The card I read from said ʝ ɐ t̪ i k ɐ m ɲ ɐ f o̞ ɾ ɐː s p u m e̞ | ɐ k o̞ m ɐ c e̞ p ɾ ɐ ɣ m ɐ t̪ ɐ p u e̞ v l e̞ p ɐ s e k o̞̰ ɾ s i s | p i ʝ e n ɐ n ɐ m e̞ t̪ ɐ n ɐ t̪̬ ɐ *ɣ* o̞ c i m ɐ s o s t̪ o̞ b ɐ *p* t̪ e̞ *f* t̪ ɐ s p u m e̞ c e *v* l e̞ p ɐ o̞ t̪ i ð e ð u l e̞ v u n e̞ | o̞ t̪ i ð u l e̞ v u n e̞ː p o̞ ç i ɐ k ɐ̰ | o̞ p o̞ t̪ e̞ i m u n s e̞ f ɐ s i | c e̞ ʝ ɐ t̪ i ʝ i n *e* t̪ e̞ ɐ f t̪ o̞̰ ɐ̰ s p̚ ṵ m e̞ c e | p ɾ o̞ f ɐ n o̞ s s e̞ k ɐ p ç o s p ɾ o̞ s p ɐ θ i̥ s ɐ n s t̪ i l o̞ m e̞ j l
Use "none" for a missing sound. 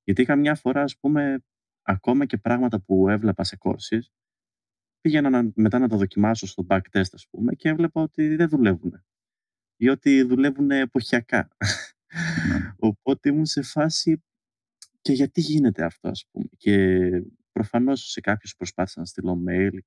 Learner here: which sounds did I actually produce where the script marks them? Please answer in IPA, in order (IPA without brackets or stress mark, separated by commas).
ð, k, s, v, e